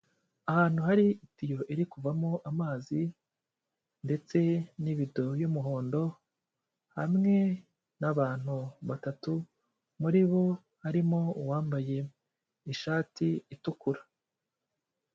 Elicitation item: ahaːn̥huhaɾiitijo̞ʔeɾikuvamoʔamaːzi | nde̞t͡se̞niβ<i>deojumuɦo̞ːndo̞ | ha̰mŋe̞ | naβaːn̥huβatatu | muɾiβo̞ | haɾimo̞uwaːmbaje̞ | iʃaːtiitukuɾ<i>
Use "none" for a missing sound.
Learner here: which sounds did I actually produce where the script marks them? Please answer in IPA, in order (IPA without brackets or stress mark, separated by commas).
i, a